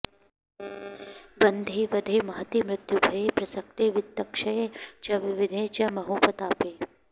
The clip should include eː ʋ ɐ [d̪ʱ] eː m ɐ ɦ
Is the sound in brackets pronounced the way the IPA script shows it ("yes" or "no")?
yes